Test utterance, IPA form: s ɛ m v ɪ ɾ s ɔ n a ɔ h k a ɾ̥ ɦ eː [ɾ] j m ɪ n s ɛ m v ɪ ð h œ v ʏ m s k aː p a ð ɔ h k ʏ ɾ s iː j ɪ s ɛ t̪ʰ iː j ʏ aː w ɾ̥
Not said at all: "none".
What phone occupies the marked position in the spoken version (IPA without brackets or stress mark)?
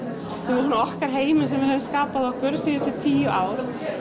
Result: none